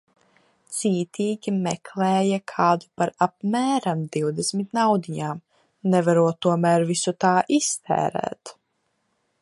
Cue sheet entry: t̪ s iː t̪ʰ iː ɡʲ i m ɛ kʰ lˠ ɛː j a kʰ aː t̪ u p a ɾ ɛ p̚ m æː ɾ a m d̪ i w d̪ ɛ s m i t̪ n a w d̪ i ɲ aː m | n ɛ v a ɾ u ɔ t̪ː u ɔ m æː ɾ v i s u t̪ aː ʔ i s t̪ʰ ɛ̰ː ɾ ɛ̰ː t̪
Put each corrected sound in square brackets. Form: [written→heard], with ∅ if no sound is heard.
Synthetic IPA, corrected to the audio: t̪ s iː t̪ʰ iː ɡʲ i m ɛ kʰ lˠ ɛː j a kʰ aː [t̪→d̪] u p a ɾ [ɛ→a] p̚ m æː ɾ a m d̪ i w d̪ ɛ s m i t̪ n a w d̪ i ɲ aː m | n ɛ v a ɾ u ɔ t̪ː u ɔ m æː ɾ v i s u t̪ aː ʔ i s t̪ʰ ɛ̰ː ɾ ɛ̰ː t̪